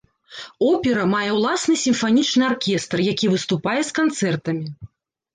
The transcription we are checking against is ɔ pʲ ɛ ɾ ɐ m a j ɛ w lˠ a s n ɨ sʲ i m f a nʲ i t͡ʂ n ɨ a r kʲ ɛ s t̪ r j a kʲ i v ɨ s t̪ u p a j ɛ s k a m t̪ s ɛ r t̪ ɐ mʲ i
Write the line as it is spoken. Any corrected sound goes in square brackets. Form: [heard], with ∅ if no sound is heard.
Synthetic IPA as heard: ɔ pʲ ɛ ɾ ɐ m a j ɛ w lˠ a s n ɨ sʲ i m f a nʲ i t͡ʂ n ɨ a r kʲ ɛ s t̪ r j a kʲ i v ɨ s t̪ u p a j ɛ s k a [n] t̪ s ɛ r t̪ ɐ mʲ i